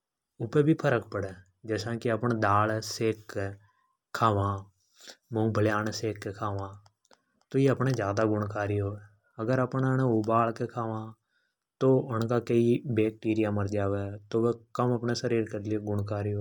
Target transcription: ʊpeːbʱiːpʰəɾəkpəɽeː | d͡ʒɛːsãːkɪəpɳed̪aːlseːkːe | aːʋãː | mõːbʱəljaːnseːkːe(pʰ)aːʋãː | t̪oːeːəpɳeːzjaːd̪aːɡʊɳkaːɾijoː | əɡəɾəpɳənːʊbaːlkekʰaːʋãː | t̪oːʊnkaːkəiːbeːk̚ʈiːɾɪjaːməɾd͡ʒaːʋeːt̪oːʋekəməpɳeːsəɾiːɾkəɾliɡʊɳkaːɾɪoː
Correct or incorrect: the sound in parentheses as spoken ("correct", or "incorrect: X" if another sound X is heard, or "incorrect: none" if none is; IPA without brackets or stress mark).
incorrect: kʰ